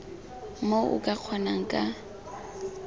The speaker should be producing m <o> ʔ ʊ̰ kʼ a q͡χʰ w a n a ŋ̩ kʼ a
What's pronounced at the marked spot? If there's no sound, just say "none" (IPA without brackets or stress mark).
o